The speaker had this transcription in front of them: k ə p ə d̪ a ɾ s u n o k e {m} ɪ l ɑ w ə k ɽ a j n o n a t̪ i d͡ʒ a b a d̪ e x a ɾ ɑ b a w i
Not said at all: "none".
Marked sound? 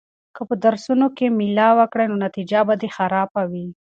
m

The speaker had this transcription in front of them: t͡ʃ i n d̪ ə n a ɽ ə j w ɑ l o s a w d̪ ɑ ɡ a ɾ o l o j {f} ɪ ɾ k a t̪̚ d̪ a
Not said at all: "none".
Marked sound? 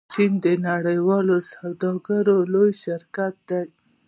ʃ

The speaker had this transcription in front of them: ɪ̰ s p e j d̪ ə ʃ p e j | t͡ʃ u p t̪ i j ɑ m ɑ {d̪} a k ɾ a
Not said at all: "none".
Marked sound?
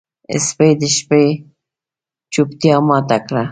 t̪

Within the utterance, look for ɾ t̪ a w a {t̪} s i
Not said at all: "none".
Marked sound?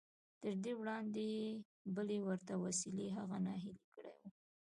none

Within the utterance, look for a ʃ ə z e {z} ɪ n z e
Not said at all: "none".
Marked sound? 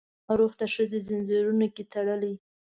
z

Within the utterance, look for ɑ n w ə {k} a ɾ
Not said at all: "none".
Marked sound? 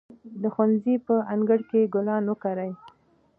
k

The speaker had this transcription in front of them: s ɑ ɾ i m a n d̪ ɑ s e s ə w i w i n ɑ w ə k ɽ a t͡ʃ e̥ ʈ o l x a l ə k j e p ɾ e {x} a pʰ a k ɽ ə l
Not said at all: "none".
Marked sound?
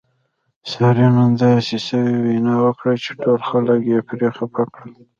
x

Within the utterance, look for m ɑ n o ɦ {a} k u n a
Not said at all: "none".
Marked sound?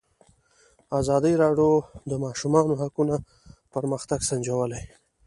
a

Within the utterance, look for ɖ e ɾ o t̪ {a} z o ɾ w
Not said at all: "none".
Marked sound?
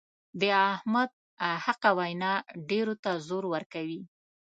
a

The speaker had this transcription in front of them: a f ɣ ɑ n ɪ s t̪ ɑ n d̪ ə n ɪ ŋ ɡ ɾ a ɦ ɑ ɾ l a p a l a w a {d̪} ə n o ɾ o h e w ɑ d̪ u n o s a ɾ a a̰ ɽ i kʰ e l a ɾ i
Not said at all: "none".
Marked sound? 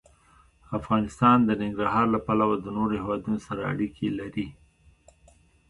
d̪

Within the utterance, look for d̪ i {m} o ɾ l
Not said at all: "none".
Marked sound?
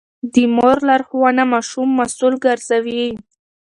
m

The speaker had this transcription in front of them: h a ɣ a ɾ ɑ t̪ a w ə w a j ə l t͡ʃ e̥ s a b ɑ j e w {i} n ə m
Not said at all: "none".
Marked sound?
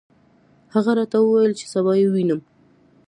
i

